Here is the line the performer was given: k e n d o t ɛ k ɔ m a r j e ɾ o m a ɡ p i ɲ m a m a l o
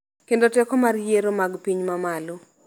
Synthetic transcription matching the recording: k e n d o t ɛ k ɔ m a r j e ɾ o m a ɡ p i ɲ m a m a l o

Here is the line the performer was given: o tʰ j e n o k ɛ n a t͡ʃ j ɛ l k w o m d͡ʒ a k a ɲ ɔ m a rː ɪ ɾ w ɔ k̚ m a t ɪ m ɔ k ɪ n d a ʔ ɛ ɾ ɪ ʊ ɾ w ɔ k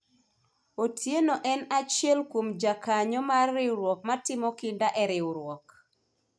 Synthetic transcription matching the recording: o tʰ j e n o ʔ ɛ n a t͡ʃ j ɛ l k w o m d͡ʒ a k a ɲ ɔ m a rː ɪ ɾ w ɔ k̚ m a t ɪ m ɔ k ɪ n d a ʔ ɛ ɾ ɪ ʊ ɾ w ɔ k

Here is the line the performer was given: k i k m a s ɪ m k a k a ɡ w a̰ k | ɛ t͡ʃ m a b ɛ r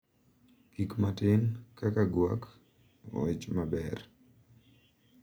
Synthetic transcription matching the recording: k i k m a t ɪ n k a k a ɡ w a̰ k | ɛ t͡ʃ m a b ɛ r

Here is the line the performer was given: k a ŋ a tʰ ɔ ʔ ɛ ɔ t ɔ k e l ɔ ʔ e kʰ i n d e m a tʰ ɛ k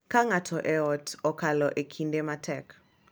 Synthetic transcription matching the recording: k a ŋ a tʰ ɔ ʔ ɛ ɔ t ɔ k a l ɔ ʔ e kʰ i n d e m a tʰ ɛ k

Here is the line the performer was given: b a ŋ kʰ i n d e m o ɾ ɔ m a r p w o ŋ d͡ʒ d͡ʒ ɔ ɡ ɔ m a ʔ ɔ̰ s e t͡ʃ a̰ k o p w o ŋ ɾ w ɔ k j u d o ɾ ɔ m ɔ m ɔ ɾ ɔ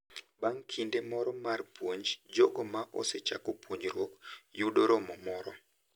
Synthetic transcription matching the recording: b a ŋ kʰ i n d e m ɔ ɾ ɔ m a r p w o ɲ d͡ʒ d͡ʒ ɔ ɡ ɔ m a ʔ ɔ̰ s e t͡ʃ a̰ k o p w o ɲ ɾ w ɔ k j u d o ɾ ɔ m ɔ m ɔ ɾ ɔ

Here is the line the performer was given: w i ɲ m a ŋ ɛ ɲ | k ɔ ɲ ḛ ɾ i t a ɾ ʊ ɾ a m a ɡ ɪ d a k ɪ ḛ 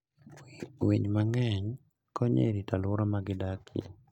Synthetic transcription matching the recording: w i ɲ m a ŋ ɛ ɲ | k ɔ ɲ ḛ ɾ i t a l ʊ ɾ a m a ɡ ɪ d a k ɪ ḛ

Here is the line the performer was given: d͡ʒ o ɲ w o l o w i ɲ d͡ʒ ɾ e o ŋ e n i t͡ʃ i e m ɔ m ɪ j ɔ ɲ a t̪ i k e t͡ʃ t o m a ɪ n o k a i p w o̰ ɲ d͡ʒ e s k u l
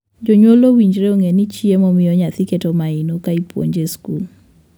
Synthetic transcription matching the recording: d͡ʒ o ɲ w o l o w i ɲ d͡ʒ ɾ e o ŋ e n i t͡ʃ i e m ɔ m ɪ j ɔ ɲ a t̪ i k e t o m a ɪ n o k a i p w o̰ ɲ d͡ʒ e s k u l

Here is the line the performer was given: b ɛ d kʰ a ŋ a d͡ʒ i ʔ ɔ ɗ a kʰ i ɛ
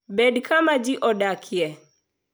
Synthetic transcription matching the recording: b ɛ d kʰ a m a d͡ʒ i ʔ ɔ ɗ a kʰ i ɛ

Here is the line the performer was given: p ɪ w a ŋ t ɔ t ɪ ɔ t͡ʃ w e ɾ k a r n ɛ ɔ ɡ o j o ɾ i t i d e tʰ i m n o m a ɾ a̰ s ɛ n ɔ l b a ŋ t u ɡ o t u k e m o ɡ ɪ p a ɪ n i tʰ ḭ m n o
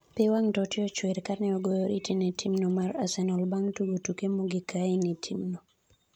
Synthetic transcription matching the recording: p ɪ w a ŋ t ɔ t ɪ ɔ t͡ʃ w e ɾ k a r n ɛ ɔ ɡ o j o ɾ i t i n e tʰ i m n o m a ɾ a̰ s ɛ n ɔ l b a ŋ t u ɡ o t u k e m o ɡ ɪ k a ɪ n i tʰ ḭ m n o

